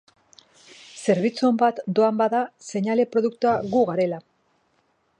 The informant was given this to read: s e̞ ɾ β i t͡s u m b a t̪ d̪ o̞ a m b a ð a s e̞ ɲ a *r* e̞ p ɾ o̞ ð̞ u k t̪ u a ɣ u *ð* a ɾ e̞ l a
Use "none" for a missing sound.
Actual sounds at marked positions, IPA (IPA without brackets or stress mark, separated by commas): l, ɣ